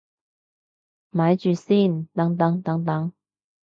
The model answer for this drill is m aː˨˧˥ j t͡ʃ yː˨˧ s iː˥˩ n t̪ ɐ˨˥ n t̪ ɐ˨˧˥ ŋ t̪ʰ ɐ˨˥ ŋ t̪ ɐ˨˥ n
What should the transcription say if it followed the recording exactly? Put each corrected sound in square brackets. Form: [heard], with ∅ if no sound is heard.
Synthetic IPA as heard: m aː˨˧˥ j t͡ʃ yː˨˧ s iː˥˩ n t̪ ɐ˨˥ [ŋ] t̪ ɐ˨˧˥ ŋ [t̪] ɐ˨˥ ŋ t̪ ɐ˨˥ [ŋ]